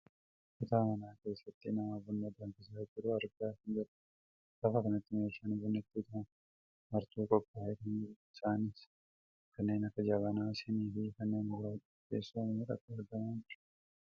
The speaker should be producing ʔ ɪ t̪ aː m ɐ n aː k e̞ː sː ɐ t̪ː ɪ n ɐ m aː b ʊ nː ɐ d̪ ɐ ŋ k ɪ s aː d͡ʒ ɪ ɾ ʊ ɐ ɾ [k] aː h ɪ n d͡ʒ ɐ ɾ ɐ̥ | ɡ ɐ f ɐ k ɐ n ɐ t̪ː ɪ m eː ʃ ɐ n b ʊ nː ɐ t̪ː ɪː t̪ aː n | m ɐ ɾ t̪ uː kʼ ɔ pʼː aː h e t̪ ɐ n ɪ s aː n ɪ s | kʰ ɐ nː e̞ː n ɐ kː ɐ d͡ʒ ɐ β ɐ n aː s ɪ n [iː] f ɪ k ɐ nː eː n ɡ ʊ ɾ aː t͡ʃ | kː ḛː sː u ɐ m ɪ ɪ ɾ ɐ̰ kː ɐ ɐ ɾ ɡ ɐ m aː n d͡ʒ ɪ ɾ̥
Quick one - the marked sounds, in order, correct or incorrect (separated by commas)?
incorrect, correct